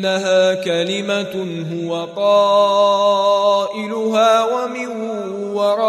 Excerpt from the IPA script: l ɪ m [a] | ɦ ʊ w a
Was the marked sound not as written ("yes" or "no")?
no